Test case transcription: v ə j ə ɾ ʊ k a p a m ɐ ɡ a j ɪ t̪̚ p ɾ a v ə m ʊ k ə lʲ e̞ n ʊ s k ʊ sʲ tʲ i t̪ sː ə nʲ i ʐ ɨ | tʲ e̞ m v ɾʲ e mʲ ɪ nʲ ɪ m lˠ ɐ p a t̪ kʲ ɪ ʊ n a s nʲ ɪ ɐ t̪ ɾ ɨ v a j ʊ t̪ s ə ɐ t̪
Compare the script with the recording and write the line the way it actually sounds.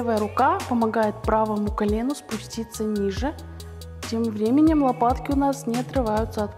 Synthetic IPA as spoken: v ə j ə ɾ ʊ k a p ə m ɐ ɡ a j ɪ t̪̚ p ɾ a v ə m ʊ k ɐ lʲ e̞ n ʊ s p ʊ sʲ tʲ i t̪ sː ə nʲ i ʐ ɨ | tʲ e̞ m v ɾʲ e mʲ ɪ nʲ ɪ m lˠ ɐ p a t̪ kʲ ɪ ʊ n a s nʲ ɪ ɐ t̪ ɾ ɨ v a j ʊ t̪ s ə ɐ t̪